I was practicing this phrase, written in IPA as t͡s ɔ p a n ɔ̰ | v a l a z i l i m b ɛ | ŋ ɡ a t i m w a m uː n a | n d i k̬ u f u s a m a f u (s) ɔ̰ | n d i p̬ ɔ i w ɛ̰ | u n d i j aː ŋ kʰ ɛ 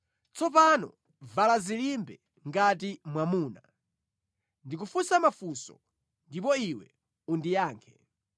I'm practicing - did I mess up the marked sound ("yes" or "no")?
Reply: no